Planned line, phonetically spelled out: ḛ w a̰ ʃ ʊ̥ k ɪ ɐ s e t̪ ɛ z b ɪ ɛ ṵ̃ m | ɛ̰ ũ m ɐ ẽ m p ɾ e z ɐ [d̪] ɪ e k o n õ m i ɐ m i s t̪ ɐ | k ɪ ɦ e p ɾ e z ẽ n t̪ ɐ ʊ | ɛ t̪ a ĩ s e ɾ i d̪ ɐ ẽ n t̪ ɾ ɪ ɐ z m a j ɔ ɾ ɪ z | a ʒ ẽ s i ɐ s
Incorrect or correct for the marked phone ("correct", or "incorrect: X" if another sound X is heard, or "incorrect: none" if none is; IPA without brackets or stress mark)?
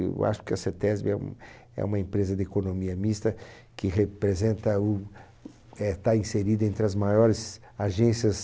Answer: correct